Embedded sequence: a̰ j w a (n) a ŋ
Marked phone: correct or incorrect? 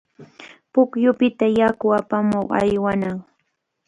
correct